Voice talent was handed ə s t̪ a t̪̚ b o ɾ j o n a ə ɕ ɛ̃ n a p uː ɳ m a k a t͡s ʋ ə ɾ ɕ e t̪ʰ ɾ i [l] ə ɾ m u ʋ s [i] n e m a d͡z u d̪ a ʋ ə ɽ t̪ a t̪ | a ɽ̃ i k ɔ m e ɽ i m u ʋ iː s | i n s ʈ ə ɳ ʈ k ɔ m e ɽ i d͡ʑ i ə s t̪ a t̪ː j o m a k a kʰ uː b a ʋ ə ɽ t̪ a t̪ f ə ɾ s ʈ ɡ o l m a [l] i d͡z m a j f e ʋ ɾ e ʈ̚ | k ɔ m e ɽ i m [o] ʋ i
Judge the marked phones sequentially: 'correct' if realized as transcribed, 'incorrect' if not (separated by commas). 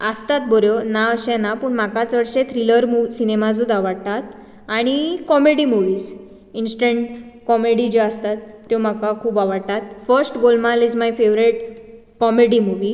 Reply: correct, correct, correct, incorrect